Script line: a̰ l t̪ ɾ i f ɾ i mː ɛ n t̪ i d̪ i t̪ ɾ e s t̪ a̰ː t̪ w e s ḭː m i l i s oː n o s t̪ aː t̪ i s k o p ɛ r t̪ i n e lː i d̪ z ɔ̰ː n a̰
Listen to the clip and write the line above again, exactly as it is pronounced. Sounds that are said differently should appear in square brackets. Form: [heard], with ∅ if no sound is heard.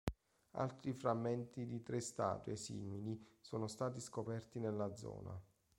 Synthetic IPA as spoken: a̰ l t̪ ɾ i f ɾ [a] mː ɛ n t̪ i d̪ i t̪ ɾ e s t̪ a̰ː t̪ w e s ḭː m i l i s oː n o s t̪ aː t̪ i s k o p ɛ r t̪ i n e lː [a] d̪ z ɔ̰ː n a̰